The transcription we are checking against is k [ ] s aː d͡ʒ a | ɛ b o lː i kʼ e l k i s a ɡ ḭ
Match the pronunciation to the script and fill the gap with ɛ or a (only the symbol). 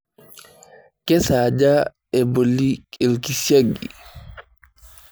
ɛ